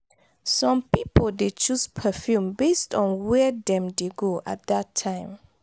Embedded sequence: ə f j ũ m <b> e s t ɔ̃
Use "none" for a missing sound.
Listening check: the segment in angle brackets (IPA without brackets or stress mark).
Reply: b